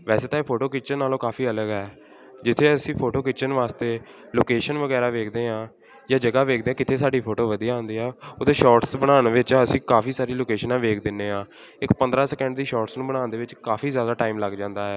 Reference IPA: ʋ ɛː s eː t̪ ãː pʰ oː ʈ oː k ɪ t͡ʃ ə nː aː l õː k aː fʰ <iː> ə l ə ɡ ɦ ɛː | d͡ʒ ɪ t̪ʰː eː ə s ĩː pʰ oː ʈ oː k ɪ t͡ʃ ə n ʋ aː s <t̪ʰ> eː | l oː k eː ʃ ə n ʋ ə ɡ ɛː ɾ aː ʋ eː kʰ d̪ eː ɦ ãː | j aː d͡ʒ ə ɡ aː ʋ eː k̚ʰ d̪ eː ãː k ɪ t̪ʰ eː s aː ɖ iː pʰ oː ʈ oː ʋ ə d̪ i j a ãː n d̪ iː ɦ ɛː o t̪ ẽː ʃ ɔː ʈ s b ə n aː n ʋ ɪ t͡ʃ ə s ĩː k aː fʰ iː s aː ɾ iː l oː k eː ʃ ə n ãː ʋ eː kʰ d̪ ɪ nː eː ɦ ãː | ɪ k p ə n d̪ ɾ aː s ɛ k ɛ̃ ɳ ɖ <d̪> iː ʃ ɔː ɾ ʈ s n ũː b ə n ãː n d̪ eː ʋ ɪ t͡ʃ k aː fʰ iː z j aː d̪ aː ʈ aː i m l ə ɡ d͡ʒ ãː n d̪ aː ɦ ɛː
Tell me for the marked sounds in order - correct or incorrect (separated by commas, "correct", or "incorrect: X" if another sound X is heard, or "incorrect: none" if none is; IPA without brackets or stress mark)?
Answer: correct, incorrect: t̪, correct